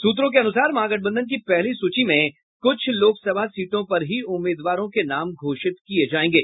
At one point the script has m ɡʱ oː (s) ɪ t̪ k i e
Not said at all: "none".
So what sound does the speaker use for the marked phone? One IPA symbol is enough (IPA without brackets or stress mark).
ʃ